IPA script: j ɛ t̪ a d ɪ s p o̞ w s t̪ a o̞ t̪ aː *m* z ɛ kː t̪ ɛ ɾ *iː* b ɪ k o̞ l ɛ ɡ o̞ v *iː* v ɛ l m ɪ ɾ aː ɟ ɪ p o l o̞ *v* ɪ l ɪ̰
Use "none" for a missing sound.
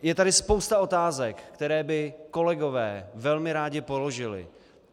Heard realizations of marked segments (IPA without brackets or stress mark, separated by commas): none, ɛː, ɛː, ʒ